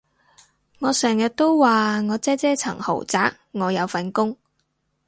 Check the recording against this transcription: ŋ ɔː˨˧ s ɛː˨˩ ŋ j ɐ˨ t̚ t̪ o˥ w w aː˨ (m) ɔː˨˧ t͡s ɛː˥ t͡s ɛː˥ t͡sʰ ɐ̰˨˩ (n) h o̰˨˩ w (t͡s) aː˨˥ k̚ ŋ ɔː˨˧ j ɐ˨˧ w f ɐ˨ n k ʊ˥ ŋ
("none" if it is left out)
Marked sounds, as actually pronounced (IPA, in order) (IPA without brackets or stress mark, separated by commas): ŋ, ŋ, t͡s